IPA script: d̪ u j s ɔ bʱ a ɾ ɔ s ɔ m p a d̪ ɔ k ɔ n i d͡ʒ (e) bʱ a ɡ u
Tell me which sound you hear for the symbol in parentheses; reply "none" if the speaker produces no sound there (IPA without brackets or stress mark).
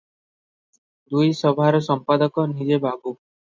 e